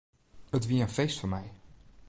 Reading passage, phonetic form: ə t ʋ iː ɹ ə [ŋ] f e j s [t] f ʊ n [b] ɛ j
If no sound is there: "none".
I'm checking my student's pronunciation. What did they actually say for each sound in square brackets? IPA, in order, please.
n, t, m

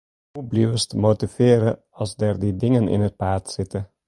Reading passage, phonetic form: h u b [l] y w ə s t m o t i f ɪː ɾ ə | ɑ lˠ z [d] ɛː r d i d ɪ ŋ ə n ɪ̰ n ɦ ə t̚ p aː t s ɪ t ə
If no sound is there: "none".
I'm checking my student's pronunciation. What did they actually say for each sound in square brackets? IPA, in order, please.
l, d

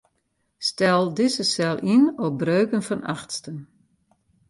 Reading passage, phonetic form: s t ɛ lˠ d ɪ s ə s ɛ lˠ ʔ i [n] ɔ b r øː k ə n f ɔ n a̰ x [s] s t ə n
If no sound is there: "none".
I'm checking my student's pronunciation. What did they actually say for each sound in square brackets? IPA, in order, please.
n, t

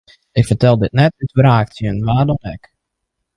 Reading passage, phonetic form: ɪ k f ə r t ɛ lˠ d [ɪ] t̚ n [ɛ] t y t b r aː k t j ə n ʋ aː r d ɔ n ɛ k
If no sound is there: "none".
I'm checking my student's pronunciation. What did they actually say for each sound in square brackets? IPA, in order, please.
ɪ, ɛ

